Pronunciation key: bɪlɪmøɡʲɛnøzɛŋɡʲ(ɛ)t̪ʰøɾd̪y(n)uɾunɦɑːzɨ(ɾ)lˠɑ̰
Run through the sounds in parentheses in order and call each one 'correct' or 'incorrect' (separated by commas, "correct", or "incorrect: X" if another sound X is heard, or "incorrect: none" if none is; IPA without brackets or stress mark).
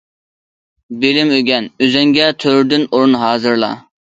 correct, correct, correct